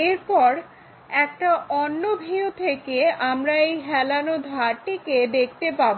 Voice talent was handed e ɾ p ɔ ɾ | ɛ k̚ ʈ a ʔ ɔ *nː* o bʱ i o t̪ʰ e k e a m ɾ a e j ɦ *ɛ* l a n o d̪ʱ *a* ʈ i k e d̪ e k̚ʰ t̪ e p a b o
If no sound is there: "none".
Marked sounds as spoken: nː, ɛ, a

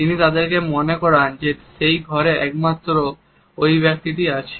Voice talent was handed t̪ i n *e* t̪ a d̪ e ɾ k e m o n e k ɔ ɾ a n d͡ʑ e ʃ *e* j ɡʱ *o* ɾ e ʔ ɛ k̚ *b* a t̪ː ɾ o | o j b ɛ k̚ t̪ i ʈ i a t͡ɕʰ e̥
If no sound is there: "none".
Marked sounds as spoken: i, e, ɔ, m

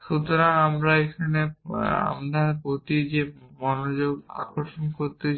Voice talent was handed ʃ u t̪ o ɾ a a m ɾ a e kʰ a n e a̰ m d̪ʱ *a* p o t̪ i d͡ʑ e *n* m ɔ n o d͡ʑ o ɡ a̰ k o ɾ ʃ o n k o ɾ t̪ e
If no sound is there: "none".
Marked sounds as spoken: a, none

